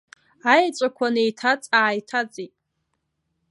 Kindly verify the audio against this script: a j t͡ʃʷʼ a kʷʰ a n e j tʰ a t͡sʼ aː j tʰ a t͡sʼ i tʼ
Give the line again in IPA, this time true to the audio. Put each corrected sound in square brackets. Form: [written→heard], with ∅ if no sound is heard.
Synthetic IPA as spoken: a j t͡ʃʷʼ a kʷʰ a n e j tʰ a t͡sʼ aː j tʰ a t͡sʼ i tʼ